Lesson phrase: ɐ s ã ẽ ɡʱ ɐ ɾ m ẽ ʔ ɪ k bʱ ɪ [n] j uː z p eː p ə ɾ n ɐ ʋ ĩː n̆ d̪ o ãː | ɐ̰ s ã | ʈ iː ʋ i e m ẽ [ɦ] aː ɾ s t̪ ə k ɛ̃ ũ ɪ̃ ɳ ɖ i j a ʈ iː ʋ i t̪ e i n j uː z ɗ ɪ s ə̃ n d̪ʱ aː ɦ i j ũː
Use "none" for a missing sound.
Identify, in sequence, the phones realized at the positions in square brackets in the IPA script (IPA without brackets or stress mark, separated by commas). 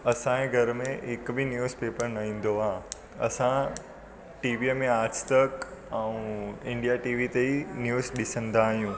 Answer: n, none